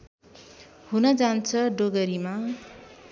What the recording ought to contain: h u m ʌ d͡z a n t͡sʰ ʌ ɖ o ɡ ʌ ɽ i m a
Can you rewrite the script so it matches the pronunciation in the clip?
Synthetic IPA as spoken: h u n ʌ d͡z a n t͡sʰ ʌ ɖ o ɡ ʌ ɾ i m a